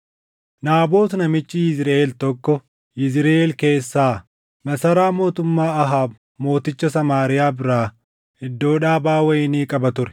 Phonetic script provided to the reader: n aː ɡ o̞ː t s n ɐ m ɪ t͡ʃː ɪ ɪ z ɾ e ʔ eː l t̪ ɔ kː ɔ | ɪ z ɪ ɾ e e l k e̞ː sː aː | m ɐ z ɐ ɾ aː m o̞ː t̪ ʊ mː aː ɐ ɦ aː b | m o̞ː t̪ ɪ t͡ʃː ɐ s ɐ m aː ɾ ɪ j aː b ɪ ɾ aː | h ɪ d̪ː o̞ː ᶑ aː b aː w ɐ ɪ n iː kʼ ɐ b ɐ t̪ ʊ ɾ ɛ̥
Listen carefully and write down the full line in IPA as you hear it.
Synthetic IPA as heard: n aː b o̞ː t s n ɐ m ɪ t͡ʃː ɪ ɪ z ɾ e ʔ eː l t̪ ɔ kː ɔ | ɪ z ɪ ɾ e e l k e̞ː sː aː | m ɐ s ɐ ɾ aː m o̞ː t̪ ʊ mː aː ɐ ɦ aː b | m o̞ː t̪ ɪ t͡ʃː ɐ s ɐ m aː ɾ ɪ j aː b ɪ ɾ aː | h ɪ d̪ː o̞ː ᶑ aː b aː w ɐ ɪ n iː kʼ ɐ b ɐ t̪ ʊ ɾ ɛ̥